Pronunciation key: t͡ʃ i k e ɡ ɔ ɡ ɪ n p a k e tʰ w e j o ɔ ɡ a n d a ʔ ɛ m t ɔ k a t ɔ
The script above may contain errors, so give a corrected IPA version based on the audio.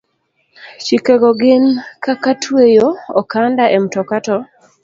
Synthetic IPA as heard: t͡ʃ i k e ɡ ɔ ɡ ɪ n k a k a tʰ w e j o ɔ k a n d a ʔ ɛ m t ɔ k a t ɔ